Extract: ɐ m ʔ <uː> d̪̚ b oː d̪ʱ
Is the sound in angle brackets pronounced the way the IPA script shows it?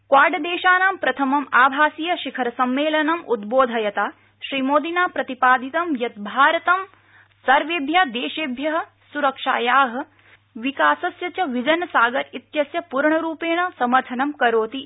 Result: no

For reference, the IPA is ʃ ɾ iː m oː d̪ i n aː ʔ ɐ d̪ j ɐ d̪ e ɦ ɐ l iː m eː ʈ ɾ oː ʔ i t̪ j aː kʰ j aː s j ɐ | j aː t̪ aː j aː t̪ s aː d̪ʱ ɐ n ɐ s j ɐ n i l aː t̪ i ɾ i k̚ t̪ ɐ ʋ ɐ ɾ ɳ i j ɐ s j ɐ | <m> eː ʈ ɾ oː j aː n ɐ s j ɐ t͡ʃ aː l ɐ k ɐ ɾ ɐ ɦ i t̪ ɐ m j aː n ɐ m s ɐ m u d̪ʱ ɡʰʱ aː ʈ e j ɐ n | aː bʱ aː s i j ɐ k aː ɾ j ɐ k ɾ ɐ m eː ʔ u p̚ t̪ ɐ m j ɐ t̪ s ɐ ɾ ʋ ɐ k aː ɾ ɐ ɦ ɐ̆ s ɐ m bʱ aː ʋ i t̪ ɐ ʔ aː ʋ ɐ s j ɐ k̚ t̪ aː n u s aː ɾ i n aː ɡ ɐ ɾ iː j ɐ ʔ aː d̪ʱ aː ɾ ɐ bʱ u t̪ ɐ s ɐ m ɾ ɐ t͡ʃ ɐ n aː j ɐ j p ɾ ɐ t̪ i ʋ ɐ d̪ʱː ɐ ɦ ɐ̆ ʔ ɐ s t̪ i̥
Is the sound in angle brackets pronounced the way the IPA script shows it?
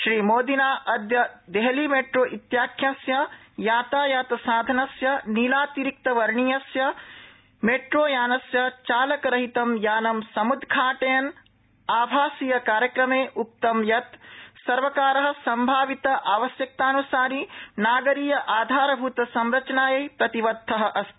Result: yes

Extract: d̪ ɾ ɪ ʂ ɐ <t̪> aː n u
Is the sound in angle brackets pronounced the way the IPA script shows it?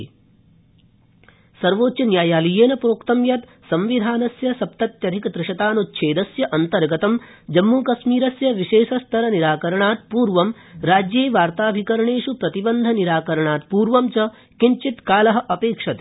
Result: yes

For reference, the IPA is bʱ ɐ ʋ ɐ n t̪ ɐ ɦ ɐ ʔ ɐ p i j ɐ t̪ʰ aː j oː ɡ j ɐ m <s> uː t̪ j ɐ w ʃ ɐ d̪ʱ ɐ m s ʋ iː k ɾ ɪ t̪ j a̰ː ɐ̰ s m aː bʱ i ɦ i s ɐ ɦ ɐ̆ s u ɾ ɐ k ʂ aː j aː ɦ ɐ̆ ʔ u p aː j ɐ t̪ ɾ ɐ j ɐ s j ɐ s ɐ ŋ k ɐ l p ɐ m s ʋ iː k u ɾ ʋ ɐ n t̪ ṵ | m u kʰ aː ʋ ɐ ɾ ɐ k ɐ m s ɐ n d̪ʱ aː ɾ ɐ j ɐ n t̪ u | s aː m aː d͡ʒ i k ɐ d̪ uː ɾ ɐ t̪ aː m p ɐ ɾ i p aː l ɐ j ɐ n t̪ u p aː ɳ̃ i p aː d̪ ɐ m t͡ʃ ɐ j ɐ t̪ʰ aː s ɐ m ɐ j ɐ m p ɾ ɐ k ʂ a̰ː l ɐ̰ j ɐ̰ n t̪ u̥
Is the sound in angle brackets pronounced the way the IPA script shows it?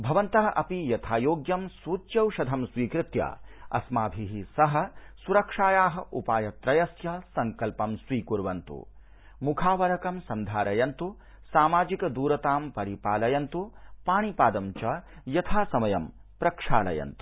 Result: yes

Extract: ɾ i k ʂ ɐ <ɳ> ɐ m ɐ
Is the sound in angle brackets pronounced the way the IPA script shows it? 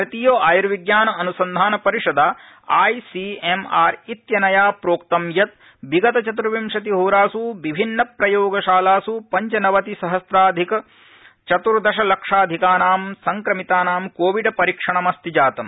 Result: yes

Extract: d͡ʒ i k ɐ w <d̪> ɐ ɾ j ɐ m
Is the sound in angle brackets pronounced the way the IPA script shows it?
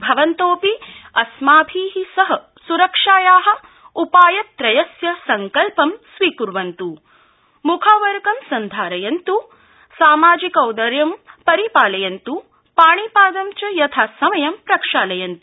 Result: yes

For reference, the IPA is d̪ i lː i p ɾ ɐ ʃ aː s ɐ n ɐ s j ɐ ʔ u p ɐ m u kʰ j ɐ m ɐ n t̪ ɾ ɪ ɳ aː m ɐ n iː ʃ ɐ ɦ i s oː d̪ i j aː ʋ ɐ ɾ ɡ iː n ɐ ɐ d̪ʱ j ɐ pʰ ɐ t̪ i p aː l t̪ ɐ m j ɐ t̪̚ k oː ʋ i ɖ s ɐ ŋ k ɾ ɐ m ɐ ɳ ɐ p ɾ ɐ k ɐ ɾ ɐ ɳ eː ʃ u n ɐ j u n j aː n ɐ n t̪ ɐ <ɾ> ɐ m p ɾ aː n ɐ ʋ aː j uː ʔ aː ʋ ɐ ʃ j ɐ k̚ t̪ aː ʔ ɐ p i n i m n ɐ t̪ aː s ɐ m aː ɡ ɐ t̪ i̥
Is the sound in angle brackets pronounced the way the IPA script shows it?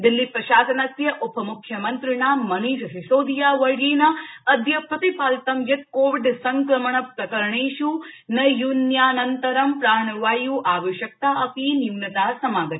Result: yes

